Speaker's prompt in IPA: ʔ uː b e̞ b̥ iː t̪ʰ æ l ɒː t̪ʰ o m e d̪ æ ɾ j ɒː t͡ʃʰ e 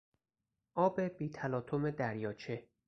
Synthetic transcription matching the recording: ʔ ɒː b e̞ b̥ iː t̪ʰ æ l ɒː t̪ʰ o m e d̪ æ ɾ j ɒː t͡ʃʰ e